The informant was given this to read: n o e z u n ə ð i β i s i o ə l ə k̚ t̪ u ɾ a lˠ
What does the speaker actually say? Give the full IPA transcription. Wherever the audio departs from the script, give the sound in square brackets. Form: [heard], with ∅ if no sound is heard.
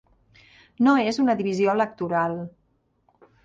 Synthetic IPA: n o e z u n ə ð i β i [z] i o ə l ə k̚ t̪ u ɾ a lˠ